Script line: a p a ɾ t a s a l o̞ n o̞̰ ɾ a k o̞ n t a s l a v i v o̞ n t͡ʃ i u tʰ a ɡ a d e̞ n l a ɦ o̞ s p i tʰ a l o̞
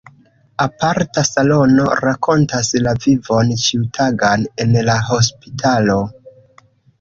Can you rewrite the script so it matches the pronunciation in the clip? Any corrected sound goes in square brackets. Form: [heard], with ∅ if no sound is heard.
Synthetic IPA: a p a ɾ t a s a l o̞ n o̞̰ ɾ a k o̞ n t a s l a v i v o̞ n t͡ʃ i u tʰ a ɡ a [n] e̞ n l a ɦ o̞ s p i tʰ a l o̞